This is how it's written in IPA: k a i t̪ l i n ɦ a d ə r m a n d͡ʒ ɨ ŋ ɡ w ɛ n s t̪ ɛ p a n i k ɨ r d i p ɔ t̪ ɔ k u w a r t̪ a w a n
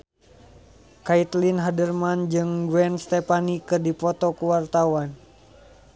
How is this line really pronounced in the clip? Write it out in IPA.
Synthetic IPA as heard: k a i t̪ l i n ɦ a d ə r m a n d͡ʒ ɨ ŋ ɡ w ɛ n s t̪ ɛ p a n i k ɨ r d i p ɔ t̪ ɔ k u w a r t̪ a w a n